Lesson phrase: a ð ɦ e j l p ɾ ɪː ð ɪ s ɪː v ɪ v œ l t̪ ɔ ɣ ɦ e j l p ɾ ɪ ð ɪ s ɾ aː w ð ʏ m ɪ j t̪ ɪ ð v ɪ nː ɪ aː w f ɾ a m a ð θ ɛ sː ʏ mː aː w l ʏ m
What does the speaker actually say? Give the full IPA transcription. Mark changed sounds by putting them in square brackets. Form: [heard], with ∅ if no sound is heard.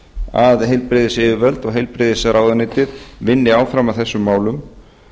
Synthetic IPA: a ð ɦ e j l p ɾ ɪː ð ɪ s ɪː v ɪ v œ l t̪ ɔ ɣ ɦ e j l p ɾ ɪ ð ɪ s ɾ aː w ð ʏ [n] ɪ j t̪ ɪ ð v ɪ nː ɪ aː w f ɾ a m a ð θ ɛ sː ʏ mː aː w l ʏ m